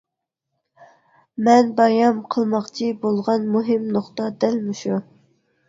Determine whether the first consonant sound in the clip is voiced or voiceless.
voiced